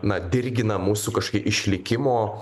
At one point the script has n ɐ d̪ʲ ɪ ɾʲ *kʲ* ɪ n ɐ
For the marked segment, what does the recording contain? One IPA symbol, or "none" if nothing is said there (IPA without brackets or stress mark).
ɡʲ